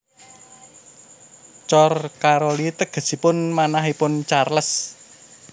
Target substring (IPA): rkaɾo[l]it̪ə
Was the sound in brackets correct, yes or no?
yes